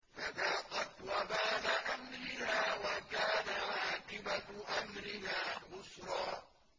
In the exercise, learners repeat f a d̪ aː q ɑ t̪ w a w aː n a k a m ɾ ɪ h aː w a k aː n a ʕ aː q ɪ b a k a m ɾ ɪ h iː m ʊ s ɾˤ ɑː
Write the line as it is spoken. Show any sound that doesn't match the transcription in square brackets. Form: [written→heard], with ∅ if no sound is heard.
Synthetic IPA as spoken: f a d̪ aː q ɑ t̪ w a [w→b] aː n a [k→ʔ] a m ɾ ɪ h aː w a k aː n a ʕ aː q ɪ b a [k→ʔ] a m ɾ ɪ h [iː→aː] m ʊ s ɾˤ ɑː